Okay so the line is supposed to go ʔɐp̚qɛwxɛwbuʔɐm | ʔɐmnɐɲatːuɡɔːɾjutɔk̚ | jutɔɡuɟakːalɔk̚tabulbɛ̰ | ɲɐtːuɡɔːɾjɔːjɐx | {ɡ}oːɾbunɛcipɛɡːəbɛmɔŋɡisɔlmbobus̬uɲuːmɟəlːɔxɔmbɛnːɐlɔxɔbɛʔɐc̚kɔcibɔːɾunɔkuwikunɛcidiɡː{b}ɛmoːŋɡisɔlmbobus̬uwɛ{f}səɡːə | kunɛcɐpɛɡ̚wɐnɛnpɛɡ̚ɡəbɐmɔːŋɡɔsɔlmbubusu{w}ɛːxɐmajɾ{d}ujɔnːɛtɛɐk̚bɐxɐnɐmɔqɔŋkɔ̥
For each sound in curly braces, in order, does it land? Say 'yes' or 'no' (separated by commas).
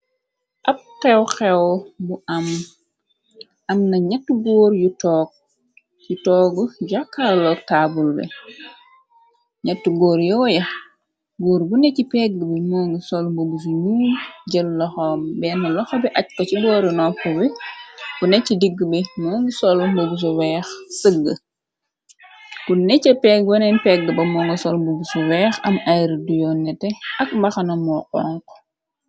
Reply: yes, yes, no, yes, yes